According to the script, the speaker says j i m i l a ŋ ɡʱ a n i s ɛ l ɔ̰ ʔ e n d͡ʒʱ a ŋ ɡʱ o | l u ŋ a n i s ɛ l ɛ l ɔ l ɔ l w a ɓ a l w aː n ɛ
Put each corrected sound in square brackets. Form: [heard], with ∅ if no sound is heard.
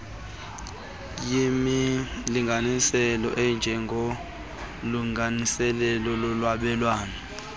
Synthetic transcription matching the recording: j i m i l [i] ŋ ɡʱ a n i s ɛ l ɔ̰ ʔ [ɛ] n d͡ʒʱ [ɛ] ŋ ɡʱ o | l u ŋ a n i s ɛ l ɛ l ɔ l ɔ l w a ɓ [ɛ] l w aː n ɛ